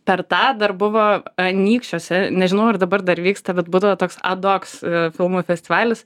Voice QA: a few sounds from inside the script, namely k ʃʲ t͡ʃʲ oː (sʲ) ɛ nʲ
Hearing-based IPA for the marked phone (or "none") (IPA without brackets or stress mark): sʲ